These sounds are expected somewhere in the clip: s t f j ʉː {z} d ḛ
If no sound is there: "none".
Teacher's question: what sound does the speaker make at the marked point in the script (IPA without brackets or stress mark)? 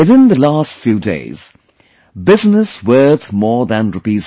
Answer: none